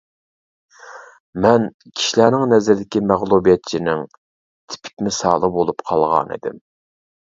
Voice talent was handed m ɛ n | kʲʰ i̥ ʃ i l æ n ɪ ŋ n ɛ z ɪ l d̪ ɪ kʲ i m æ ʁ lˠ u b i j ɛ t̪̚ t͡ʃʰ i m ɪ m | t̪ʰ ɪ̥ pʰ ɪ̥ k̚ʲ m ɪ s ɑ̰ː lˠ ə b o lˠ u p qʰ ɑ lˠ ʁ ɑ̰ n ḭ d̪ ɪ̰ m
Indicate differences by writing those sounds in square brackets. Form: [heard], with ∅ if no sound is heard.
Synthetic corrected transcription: m ɛ n | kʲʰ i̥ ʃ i l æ n ɪ ŋ n ɛ z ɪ [ɾ] d̪ ɪ kʲ i m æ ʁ lˠ u b i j ɛ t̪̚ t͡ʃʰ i [n] ɪ [ŋ] | t̪ʰ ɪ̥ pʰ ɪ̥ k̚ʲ m ɪ s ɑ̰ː lˠ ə b o lˠ u p qʰ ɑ lˠ ʁ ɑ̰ n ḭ d̪ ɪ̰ m